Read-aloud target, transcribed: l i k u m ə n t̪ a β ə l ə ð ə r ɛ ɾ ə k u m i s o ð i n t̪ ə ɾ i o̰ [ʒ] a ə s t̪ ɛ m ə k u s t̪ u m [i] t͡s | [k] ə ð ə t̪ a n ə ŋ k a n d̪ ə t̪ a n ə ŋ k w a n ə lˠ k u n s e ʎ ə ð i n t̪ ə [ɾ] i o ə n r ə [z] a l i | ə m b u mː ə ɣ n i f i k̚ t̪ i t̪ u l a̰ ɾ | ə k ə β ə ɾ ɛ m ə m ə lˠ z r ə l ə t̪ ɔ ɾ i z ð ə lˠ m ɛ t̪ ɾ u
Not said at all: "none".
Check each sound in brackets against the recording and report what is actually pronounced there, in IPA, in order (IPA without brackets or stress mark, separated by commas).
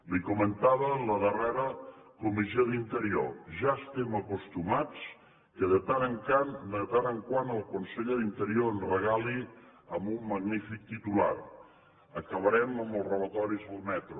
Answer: ʒ, a, k, ɾ, ɣ